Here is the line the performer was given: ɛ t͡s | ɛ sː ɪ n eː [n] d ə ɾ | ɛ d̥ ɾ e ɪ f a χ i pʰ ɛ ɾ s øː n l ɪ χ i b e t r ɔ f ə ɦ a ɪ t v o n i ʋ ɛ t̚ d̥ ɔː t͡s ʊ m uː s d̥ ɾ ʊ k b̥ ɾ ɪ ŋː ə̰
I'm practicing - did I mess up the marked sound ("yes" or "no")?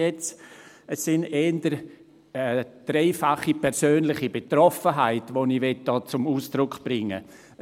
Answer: no